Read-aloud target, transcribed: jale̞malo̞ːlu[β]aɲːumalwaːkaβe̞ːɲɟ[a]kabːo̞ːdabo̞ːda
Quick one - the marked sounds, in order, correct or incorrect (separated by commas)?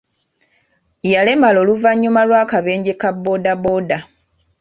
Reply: incorrect, incorrect